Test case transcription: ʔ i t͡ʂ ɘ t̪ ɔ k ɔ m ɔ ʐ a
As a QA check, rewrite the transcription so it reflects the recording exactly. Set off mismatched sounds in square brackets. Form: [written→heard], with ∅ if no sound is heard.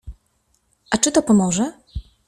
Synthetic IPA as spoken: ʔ [i→a] t͡ʂ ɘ t̪ ɔ [k→p] ɔ m ɔ ʐ [a→ɛ]